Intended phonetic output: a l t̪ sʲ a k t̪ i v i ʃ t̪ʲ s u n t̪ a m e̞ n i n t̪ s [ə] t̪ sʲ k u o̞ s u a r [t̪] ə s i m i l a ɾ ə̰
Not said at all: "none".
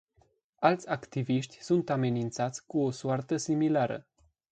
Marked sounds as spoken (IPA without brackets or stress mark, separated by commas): a, t̪